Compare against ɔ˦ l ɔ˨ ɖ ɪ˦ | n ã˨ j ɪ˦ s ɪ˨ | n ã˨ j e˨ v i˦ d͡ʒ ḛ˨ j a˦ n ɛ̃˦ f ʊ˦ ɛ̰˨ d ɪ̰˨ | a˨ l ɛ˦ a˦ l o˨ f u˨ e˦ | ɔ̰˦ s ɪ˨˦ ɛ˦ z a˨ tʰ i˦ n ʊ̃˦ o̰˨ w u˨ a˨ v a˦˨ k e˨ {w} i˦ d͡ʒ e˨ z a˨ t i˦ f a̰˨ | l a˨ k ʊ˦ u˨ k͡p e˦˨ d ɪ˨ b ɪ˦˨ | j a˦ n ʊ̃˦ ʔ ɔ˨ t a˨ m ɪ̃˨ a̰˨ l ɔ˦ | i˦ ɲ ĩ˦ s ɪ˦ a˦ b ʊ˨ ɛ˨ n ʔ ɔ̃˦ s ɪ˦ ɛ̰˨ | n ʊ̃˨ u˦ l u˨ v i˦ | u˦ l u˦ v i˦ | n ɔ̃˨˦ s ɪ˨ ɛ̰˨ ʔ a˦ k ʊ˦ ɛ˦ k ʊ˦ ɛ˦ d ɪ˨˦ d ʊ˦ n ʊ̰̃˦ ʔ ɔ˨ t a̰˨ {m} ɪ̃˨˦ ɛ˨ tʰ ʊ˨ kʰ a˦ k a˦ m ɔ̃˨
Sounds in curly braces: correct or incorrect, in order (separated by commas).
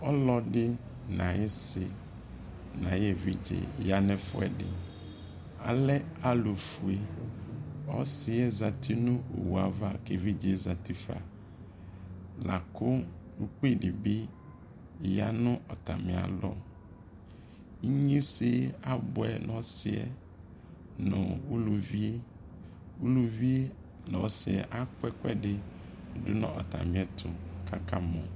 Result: incorrect, correct